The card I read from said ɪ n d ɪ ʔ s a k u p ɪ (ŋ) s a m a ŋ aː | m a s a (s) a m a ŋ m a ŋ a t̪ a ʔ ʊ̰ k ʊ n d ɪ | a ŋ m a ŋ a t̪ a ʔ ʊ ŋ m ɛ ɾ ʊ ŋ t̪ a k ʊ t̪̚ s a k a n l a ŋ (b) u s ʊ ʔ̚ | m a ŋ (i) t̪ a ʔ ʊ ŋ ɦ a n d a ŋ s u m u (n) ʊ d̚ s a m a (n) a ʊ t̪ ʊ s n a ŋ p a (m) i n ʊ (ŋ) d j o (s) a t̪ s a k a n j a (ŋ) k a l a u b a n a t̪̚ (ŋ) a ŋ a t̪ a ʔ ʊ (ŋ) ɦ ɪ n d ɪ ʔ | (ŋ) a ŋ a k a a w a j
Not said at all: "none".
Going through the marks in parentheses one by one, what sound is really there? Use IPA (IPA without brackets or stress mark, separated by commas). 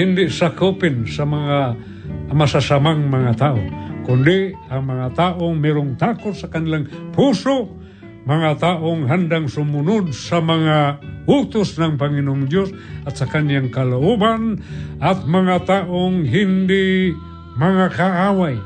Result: n, s, p, a, n, ŋ, ŋ, ŋ, s, ŋ, m, ŋ, m